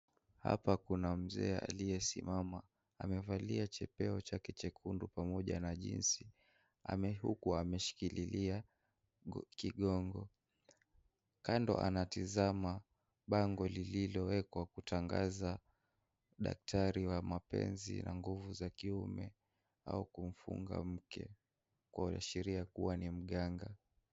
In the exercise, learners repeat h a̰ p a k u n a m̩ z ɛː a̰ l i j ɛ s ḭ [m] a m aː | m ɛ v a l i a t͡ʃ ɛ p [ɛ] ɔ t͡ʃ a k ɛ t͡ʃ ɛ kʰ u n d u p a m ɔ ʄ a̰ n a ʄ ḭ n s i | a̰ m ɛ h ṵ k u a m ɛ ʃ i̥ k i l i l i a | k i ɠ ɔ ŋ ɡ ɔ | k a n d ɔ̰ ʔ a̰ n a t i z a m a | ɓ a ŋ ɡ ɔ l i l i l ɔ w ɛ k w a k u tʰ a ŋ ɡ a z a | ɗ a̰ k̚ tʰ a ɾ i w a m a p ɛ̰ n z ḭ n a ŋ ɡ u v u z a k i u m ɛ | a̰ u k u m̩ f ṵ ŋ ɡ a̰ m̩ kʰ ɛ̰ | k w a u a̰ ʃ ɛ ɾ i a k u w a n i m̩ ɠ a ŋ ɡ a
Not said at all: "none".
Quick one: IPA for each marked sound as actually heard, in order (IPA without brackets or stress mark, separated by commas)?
m, ɛ